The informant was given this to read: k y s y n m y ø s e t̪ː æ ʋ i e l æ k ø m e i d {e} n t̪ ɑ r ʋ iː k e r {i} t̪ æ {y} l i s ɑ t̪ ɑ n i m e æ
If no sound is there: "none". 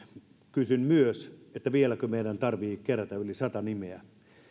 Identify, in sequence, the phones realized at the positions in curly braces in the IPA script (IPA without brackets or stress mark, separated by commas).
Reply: æ, æ, y